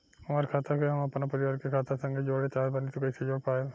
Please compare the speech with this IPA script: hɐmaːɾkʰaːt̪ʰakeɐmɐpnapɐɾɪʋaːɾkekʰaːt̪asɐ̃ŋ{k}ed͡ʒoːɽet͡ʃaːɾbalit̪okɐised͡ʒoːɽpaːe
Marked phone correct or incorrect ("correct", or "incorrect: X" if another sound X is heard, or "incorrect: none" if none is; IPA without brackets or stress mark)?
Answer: incorrect: ɡ